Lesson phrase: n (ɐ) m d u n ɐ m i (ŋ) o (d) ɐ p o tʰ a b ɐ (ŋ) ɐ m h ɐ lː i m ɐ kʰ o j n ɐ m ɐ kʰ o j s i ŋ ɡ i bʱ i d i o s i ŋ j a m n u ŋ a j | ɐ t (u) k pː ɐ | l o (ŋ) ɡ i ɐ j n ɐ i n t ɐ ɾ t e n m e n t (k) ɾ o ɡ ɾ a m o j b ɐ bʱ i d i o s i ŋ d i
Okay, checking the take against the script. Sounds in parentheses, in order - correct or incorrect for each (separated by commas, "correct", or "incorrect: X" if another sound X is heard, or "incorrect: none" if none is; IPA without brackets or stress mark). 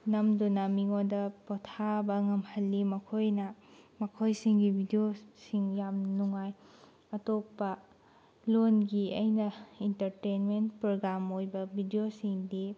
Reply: correct, correct, correct, correct, incorrect: o, incorrect: n, incorrect: p